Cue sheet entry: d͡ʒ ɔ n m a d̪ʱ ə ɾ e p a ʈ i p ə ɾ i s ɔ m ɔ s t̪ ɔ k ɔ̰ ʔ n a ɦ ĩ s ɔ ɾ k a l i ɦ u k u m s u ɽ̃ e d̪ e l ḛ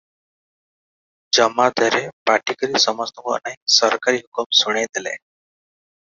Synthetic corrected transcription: d͡ʒ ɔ m a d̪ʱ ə ɾ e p a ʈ i k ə ɾ i s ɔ m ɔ s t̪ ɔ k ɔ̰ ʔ n a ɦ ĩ s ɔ ɾ k a ɾ i ɦ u k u m s u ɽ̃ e d̪ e l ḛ